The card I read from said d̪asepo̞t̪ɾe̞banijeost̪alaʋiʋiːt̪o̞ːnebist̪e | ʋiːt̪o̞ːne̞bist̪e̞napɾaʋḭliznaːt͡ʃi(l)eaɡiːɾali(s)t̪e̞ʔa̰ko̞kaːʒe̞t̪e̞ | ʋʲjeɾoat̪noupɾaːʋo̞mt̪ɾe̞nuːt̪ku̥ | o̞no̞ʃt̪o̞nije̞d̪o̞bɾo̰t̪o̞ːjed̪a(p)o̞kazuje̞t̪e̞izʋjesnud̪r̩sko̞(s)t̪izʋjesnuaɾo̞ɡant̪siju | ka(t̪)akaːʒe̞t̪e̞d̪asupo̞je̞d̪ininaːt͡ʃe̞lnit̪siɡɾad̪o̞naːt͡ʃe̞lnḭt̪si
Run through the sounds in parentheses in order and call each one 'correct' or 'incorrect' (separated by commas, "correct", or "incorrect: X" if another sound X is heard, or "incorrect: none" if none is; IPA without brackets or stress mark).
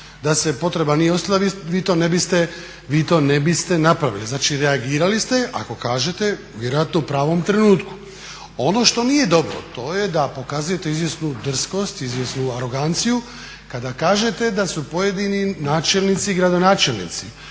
incorrect: ɾ, correct, correct, correct, incorrect: d̪